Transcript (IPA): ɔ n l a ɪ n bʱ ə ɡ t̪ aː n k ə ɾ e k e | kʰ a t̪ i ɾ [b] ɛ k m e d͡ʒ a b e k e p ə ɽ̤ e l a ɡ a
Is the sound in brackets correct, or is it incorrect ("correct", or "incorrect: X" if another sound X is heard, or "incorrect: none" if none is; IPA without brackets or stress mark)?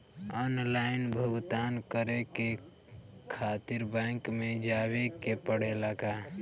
correct